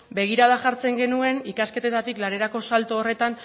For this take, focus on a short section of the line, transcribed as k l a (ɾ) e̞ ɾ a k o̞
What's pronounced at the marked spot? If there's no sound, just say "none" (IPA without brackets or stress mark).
ɾ